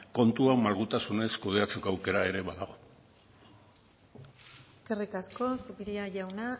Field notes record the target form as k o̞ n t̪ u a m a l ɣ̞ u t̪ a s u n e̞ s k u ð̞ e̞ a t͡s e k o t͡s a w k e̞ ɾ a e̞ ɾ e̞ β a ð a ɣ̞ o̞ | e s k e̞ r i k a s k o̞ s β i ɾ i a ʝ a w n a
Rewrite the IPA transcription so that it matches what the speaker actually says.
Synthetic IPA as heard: k o̞ n t̪ u a m a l ɣ̞ u t̪ a s u n e̞ s k u ð̞ e̞ a t͡s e k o a w k e̞ ɾ a e̞ ɾ e̞ β a ð a ɣ̞ o̞ | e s k e̞ r i k a s k o̞ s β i ɾ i a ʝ a w n a

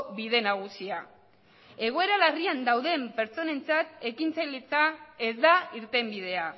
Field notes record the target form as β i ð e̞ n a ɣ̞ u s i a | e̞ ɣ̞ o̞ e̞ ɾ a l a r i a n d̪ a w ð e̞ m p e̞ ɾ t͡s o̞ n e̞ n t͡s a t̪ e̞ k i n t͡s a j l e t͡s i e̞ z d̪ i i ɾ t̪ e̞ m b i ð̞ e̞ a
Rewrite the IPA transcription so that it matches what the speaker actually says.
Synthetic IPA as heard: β i ð e̞ n a ɣ̞ u s i a | e̞ ɣ̞ o̞ e̞ ɾ a l a r i a n d̪ a w ð e̞ m p e̞ ɾ t͡s o̞ n e̞ n t͡s a t̪ e̞ k i n t͡s a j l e t͡s a e̞ z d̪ a i ɾ t̪ e̞ m b i ð̞ e̞ a

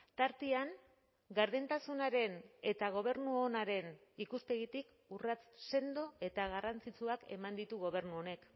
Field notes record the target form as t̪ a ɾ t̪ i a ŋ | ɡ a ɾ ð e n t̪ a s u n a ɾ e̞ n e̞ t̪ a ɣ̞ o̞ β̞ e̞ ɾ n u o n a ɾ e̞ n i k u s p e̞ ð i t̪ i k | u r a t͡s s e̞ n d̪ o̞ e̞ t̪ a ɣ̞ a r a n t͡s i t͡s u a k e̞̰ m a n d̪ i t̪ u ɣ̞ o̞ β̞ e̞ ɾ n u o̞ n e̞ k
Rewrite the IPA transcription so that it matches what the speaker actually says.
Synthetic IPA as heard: t̪ a ɾ t̪ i a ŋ | ɡ a ɾ ð e n t̪ a s u n a ɾ e̞ n e̞ t̪ a ɣ̞ o̞ β̞ e̞ ɾ n u o n a ɾ e̞ n i k u s p e̞ ɣ i t̪ i k | u r a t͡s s e̞ n d̪ o̞ e̞ t̪ a ɣ̞ a r a n t͡s i t͡s u a k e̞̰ m a n d̪ i t̪ u ɣ̞ o̞ β̞ e̞ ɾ n u o̞ n e̞ k

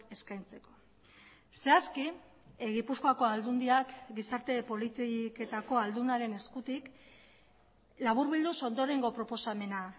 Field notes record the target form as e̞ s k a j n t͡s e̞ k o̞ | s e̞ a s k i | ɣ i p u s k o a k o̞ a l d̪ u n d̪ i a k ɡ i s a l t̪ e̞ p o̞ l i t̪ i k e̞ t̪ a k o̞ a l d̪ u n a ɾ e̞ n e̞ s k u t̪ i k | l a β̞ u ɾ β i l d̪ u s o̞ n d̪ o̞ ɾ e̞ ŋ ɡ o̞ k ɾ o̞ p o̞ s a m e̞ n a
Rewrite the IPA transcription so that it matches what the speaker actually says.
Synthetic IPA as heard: e̞ s k a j n t͡s e̞ k o̞ | s e̞ a s k i | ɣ i p u s k o a k o̞ a l d̪ u n d̪ i a k ɡ i s a ɾ t̪ e̞ p o̞ l i t̪ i k e̞ t̪ a k o̞ a l d̪ u n a ɾ e̞ n e̞ s k u t̪ i k | l a β̞ u ɾ β i l d̪ u s o̞ n d̪ o̞ ɾ e̞ ŋ ɡ o̞ p ɾ o̞ p o̞ s a m e̞ n a

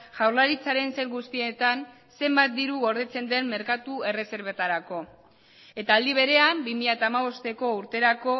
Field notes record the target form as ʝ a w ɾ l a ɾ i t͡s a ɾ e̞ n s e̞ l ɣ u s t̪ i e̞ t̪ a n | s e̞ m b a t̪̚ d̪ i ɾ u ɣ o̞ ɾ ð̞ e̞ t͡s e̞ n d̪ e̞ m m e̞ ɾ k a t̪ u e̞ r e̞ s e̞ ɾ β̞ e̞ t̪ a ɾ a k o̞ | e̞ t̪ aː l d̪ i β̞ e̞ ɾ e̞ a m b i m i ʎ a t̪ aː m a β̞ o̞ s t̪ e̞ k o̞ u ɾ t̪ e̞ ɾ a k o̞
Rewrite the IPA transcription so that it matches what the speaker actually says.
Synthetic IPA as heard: ʝ a w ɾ l a ɾ i t͡s a ɾ e̞ n s e̞ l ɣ u s t̪ i e̞ t̪ a n | s e̞ m b a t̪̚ d̪ i ɾ u ɣ o̞ ɾ ð̞ e̞ t͡s e̞ n d̪ e̞ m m e̞ ɾ k a t̪ u e̞ r e̞ s e̞ ɾ β̞ e̞ t̪ a ɾ a k o̞ | e̞ t̪ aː l d̪ i β̞ e̞ ɾ e̞ a m b i m i ʎ a t̪ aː m a β̞ o̞ s t̪ e̞ k o̞ u ɾ t̪ e̞ ɾ a k o̞

